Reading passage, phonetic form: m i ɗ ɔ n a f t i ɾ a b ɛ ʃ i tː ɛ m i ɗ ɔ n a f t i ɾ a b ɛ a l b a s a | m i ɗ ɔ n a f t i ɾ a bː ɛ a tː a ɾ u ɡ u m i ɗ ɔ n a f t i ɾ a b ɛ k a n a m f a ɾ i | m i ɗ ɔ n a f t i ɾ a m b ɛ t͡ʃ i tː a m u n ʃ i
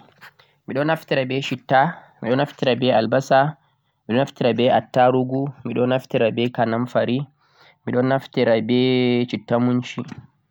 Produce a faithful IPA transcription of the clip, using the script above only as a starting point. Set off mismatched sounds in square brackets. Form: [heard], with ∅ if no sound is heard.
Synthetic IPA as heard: m i ɗ ɔ n a f t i ɾ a b ɛ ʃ i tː [a] m i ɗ ɔ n a f t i ɾ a b ɛ a l b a s a | m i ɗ ɔ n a f t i ɾ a [b] ɛ a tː a ɾ u ɡ u m i ɗ ɔ n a f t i ɾ a b ɛ k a n a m f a ɾ i | m i ɗ ɔ n a f t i ɾ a [∅] b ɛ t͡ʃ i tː a m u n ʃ i

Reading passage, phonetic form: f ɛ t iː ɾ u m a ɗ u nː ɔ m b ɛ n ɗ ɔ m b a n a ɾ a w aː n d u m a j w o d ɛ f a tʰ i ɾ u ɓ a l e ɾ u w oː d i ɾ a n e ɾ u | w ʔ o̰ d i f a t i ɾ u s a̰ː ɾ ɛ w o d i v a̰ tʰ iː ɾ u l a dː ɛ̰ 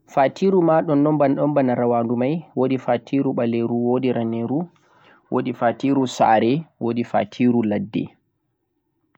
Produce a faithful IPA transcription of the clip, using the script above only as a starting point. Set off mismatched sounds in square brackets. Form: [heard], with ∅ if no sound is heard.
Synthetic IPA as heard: f [a] t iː ɾ u m a ɗ [ɔ] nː ɔ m b [a] n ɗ ɔ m b a n a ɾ a w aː n d u m a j w o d [i] f a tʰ i ɾ u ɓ a l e ɾ u w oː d i ɾ a n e ɾ u | w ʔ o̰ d i f a t i ɾ u s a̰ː ɾ ɛ w o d i [f] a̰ tʰ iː ɾ u l a dː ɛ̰

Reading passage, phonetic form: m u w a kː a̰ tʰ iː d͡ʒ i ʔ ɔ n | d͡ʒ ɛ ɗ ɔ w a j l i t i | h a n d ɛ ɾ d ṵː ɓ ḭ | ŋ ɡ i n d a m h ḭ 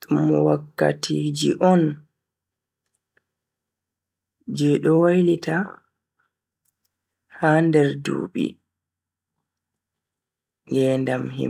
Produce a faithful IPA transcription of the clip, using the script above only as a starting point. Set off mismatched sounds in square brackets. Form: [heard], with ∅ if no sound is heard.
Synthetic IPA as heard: m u w a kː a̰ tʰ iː d͡ʒ i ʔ ɔ n | d͡ʒ ɛ ɗ ɔ w a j l i t [a] | h a n d ɛ ɾ d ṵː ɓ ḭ | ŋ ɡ [ɛ] n d a m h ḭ

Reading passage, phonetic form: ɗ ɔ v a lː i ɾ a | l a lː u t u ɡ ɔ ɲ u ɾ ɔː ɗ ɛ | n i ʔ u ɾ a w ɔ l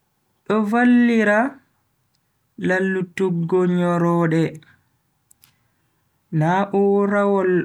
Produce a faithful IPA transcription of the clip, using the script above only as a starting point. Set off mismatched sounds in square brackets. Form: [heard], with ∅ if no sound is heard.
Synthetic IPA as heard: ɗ ɔ v a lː i ɾ a | l a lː u t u ɡ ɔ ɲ [ɔ] ɾ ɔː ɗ ɛ | n [a] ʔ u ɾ a w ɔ l

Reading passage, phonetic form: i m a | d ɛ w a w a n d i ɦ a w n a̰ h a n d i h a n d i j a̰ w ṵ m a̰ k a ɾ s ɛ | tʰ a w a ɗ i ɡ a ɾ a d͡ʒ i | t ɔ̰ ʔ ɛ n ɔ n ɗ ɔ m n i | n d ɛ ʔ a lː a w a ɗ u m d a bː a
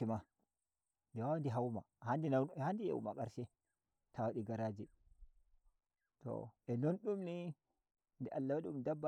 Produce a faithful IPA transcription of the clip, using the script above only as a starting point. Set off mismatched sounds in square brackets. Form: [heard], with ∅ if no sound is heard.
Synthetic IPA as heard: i m a | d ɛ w a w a n d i ɦ a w [m] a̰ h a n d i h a n d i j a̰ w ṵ m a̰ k a ɾ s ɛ | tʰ a w a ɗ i ɡ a ɾ a d͡ʒ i | t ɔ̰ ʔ ɛ n ɔ n ɗ [u] m n i | n d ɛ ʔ a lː a w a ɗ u m d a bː a

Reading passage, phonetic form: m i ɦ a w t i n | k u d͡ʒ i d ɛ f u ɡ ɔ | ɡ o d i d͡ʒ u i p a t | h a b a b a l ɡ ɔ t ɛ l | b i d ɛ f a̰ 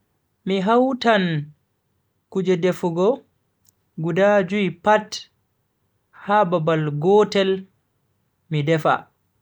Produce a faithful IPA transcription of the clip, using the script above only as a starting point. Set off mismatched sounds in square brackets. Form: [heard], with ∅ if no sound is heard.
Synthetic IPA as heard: m i ɦ a w t [a] n | k u d͡ʒ [ɛ] d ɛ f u ɡ ɔ | ɡ [u] d [a] d͡ʒ u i p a t | h a b a b a l ɡ ɔ t ɛ l | [m] i d ɛ f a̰

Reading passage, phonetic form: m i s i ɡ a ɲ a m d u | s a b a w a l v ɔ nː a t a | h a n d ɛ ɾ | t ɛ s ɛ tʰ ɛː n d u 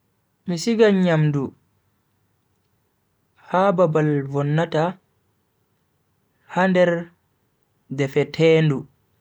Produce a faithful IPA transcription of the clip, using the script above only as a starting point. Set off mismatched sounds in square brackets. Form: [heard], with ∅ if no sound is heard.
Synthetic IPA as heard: m i s i ɡ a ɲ a m d u | [h] a b a [b] a l v ɔ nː a t a | h a n d ɛ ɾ | [d] ɛ [f] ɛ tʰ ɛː n d u

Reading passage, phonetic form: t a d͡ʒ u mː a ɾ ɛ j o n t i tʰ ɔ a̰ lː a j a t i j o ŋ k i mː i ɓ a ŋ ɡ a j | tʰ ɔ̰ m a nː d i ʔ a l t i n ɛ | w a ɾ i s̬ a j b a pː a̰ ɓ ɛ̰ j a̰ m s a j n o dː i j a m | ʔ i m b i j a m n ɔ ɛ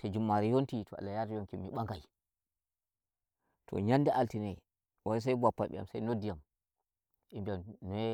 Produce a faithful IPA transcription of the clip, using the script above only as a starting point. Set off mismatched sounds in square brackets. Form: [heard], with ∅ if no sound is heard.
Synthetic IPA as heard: t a d͡ʒ u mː a ɾ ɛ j o n t i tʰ ɔ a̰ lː a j a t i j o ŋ k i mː i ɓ a ŋ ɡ a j | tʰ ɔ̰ [ɲ] a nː d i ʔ a l t i n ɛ | w a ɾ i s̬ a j b a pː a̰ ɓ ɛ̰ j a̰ m s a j n o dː i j a m | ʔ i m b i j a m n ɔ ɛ

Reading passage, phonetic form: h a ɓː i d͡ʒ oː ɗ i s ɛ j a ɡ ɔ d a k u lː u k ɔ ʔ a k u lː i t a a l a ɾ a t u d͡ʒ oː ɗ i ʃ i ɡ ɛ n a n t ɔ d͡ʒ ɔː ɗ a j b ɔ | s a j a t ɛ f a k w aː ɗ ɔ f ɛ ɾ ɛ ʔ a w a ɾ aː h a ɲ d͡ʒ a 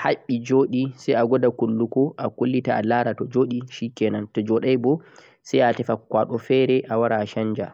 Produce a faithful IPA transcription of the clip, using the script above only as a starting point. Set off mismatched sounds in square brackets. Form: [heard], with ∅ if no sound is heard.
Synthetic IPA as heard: h a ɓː i d͡ʒ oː ɗ i s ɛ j a ɡ ɔ d a k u lː u k ɔ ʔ a k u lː i t a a l a ɾ a t [ɔ] d͡ʒ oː ɗ i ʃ i [k] ɛ n a n t ɔ d͡ʒ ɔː ɗ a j b ɔ | s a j a t ɛ f a k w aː ɗ ɔ f ɛ ɾ ɛ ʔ a w a ɾ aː [ʃ] a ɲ d͡ʒ a

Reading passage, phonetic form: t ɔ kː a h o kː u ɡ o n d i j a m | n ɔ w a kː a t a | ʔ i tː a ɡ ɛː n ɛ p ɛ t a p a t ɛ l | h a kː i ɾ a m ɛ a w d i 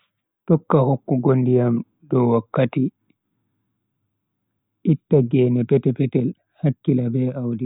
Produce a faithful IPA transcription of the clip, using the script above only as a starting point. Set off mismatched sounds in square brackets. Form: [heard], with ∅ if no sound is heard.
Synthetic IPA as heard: t ɔ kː a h o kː u ɡ o n d i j a m | [d] ɔ w a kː a t [i] | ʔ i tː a ɡ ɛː n ɛ p ɛ t [ɛ] p [ɛ] t ɛ l | h a kː i [l] a [b] ɛ a w d i

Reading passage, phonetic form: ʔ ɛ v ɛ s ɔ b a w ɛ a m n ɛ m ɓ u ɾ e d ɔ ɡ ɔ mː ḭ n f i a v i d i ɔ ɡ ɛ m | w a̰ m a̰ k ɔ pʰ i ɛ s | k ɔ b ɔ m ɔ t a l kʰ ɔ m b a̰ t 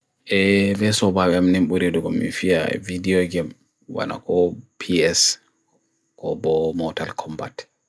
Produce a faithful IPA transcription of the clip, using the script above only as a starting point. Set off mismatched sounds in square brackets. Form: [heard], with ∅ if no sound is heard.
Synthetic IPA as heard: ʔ ɛ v ɛ s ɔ b a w ɛ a m n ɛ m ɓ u ɾ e d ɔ ɡ ɔ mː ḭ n f i a v i d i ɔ ɡ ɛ m | w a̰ [n] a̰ k ɔ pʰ i ɛ s | k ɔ b ɔ m ɔ t a l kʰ ɔ m b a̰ t

